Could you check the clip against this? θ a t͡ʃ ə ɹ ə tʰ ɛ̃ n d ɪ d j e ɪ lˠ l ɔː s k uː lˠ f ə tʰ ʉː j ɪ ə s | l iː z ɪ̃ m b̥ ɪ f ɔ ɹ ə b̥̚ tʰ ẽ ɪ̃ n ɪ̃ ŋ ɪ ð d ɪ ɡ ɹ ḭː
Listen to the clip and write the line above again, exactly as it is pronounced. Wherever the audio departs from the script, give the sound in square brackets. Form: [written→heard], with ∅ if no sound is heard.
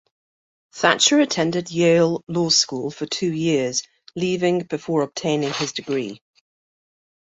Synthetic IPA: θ a t͡ʃ ə ɹ ə tʰ ɛ̃ n d ɪ d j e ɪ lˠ l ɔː s k uː lˠ f ə tʰ ʉː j ɪ ə [s→z] | l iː [z→v] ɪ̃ [m→ŋ] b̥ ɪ f [ɔ→ɔː] ɹ ə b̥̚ tʰ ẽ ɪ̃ n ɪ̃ ŋ ɪ [ð→z] d ɪ ɡ ɹ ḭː